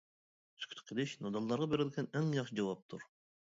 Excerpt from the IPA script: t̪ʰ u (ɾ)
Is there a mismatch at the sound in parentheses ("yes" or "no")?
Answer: no